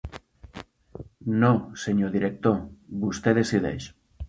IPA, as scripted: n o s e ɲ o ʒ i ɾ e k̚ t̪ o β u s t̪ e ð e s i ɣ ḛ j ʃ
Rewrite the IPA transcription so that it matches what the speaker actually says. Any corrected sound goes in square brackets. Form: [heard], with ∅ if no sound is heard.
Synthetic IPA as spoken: n o s e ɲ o [ð] i ɾ e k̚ t̪ o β u s t̪ e ð e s i [ð] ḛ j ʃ